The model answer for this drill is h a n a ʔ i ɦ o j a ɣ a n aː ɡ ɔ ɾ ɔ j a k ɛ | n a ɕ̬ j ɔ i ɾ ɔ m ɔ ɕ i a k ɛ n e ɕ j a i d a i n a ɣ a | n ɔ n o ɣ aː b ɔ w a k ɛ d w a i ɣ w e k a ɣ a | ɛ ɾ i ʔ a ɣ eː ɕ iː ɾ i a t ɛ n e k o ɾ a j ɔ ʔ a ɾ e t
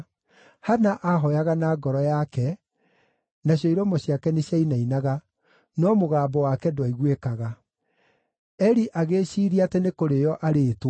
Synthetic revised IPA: h a n a ʔ a ɦ ɔ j a ɣ a n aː ɡ ɔ ɾ ɔ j a k ɛ | n a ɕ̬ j ɔ i ɾ ɔ m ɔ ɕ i a k ɛ n e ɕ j a i n a i n a ɣ a | n ɔ m o ɣ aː b ɔ w a k ɛ d w a i ɣ w e k a ɣ a | ɛ ɾ i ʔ a ɣ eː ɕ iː ɾ i a t ɛ n e k o ɾ e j ɔ ʔ a ɾ e t